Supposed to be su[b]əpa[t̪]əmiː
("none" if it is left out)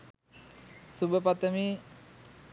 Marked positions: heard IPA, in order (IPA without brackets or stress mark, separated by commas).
b, t̪